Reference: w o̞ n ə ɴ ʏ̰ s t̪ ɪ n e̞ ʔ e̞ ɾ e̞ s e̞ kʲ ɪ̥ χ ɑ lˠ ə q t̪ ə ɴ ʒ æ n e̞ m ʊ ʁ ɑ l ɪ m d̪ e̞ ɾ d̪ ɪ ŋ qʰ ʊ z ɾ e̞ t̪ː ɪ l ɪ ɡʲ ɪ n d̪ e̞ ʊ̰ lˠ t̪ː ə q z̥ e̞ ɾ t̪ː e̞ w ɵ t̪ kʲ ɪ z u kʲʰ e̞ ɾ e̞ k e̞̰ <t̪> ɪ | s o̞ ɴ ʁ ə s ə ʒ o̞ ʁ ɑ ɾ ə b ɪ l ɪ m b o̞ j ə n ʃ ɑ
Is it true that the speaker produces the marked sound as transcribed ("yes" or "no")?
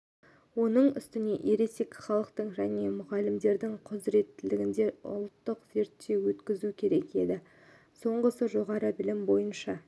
no